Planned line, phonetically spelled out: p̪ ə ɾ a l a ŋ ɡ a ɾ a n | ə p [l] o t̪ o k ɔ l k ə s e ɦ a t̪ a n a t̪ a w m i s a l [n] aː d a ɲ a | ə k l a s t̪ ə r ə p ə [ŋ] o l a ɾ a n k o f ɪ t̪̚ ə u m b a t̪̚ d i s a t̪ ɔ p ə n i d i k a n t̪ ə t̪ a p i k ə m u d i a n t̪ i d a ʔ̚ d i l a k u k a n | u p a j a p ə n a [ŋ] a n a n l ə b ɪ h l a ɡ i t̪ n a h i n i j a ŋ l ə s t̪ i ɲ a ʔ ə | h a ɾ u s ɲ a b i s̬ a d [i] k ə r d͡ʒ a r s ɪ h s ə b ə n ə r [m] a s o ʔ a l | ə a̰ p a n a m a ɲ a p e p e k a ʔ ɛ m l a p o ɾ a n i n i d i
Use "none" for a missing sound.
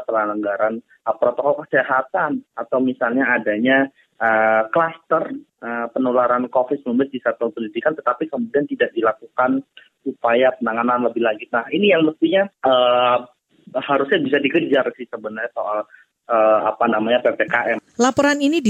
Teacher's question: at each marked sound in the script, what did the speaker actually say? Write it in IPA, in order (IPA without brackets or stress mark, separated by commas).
ɾ, ɲ, n, ŋ, i, ɲ